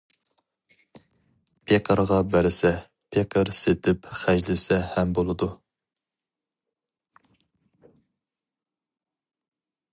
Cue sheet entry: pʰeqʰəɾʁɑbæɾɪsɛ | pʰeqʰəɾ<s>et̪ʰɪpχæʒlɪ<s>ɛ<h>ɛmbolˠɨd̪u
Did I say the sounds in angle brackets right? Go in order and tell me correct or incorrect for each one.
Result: correct, correct, correct

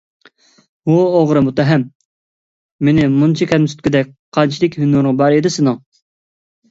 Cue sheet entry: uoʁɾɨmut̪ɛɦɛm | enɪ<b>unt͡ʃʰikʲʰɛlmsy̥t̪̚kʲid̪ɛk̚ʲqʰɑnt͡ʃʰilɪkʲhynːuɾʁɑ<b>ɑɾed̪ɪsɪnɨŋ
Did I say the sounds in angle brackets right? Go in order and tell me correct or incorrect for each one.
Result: incorrect: m, correct

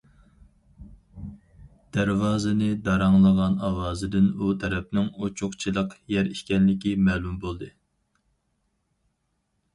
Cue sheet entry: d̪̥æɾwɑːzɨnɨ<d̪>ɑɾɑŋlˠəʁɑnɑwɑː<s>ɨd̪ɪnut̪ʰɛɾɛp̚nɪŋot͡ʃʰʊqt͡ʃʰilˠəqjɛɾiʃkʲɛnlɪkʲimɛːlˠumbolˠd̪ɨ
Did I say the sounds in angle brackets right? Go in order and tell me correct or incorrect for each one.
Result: correct, incorrect: z

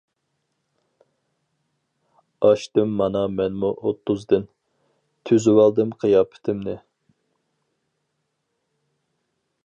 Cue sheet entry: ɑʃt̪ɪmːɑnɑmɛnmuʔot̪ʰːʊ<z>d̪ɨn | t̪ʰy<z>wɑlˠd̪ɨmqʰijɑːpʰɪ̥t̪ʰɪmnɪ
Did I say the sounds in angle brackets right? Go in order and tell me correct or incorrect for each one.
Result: correct, correct

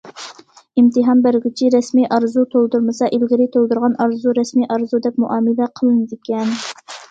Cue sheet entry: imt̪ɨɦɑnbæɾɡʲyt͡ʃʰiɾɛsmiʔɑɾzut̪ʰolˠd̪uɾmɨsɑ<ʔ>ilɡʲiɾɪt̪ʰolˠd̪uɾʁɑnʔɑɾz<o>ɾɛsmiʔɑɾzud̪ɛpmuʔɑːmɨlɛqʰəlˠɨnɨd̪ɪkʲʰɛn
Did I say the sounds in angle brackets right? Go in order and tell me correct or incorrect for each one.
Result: correct, incorrect: u

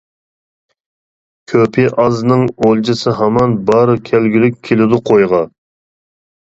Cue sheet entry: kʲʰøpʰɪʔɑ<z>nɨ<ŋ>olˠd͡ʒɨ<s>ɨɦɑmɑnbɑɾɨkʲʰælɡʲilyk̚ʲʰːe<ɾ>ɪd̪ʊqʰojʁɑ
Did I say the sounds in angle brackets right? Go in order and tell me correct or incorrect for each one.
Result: correct, correct, correct, incorrect: l

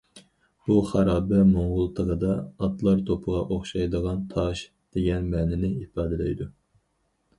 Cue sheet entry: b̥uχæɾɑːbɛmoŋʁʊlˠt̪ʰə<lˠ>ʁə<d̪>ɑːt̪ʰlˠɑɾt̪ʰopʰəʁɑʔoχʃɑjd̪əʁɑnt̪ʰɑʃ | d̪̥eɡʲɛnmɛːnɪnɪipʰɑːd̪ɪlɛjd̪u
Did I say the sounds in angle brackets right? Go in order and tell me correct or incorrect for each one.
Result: incorrect: none, correct

